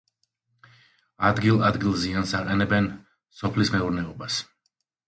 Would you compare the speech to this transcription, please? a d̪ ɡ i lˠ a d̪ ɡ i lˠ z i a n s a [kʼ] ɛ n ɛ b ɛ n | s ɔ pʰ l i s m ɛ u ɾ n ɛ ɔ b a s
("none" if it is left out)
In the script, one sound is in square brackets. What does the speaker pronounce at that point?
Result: qʼ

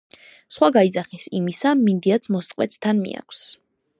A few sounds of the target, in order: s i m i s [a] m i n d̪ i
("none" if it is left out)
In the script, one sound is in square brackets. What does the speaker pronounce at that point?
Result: a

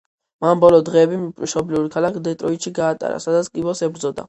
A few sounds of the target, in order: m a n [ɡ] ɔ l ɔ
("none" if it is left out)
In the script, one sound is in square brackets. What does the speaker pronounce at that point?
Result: b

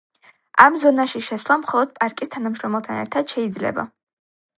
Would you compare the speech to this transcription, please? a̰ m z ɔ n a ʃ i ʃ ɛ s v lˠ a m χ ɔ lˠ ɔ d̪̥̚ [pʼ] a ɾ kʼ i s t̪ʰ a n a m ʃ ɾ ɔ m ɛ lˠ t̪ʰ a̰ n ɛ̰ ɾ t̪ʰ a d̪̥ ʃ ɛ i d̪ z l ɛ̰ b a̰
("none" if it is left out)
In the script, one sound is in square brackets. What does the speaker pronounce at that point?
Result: pʼ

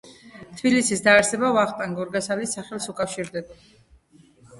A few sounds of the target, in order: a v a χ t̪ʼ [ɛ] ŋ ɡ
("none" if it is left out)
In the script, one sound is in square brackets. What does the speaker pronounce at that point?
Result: a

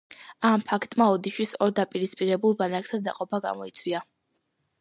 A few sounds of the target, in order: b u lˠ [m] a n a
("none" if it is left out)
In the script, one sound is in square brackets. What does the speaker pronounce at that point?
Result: b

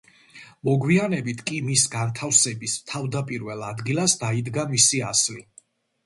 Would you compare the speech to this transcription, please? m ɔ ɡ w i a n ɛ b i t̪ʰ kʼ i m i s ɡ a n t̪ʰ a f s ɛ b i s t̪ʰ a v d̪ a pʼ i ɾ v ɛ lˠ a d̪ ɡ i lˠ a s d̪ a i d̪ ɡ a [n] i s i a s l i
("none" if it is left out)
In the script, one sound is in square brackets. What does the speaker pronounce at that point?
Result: m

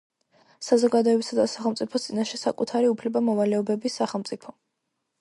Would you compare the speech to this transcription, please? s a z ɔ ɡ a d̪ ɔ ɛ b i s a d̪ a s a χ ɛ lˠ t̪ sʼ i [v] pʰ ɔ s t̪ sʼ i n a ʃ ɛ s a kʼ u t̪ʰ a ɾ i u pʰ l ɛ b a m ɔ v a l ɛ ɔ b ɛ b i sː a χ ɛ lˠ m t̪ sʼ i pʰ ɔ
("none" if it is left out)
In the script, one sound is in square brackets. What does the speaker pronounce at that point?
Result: none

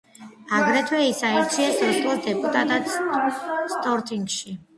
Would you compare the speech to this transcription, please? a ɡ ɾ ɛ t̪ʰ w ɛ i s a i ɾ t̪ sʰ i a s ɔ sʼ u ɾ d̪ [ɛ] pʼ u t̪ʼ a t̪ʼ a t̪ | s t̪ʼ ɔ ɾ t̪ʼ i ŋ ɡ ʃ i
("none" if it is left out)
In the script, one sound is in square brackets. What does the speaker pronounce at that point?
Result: ɛ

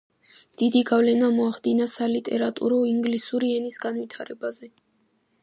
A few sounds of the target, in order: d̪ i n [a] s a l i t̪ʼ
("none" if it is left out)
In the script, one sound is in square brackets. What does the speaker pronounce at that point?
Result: a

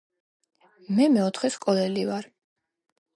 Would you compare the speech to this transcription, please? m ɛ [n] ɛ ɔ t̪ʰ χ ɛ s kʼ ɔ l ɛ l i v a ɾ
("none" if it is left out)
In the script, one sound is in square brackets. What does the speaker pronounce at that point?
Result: m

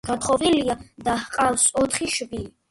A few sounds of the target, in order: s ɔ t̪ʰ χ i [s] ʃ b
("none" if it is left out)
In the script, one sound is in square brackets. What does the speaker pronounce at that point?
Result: none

